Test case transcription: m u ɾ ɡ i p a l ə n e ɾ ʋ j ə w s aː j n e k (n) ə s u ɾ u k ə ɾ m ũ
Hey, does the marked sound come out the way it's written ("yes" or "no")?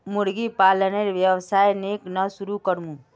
yes